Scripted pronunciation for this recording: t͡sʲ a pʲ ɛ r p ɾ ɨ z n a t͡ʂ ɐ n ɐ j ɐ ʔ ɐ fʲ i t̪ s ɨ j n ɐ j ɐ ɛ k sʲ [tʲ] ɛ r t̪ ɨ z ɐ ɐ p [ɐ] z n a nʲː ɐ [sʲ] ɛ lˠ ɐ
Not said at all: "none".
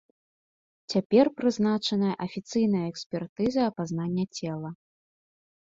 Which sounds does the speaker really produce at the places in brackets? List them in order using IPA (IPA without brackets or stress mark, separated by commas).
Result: pʲ, a, t͡sʲ